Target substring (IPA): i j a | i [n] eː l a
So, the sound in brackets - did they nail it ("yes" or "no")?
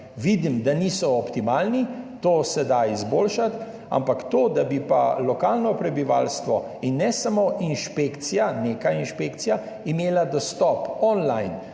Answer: no